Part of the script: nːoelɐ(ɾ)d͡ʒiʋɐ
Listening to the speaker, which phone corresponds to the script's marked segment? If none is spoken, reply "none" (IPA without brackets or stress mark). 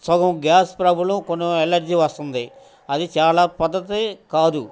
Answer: ɾ